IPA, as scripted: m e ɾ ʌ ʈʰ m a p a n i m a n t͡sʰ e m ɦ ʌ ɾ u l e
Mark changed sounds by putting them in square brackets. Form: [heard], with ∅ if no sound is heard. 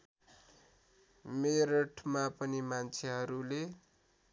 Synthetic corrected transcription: m e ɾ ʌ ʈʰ m a p [ʌ] n i m a n t͡sʰ e [∅] ɦ ʌ ɾ u l e